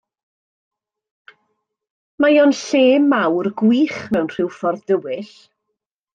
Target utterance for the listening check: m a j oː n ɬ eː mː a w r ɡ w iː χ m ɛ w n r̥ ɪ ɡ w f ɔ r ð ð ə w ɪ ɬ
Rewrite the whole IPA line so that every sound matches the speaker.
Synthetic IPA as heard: m a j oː n ɬ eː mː a w r ɡ w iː χ m ɛ w n r̥ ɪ w f ɔ r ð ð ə w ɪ ɬ